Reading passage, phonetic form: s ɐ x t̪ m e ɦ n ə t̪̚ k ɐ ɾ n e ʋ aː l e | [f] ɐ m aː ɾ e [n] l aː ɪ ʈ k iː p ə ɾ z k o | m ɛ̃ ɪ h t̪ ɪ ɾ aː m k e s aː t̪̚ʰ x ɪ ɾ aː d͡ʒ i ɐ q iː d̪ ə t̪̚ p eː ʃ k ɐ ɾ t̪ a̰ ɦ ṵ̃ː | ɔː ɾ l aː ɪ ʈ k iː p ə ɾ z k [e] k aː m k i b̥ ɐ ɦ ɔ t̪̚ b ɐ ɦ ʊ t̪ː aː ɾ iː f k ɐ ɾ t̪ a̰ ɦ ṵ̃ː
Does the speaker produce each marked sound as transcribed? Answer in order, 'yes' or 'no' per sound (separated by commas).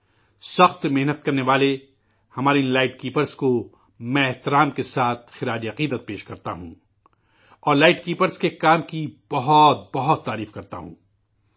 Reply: no, yes, yes